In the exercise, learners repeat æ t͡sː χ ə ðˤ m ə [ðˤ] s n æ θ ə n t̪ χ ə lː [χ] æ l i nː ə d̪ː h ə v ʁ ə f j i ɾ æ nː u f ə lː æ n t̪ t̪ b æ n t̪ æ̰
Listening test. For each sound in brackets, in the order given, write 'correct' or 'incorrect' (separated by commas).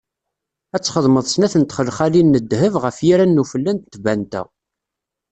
correct, correct